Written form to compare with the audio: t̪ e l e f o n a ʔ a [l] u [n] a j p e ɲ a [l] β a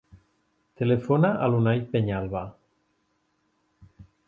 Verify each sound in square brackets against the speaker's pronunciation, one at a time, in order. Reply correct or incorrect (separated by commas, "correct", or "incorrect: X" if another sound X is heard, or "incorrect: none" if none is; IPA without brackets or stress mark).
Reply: correct, correct, correct